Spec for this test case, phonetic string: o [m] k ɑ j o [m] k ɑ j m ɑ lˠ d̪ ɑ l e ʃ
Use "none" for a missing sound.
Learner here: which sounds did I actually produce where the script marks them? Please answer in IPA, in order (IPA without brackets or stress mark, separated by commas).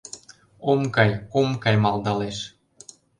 m, m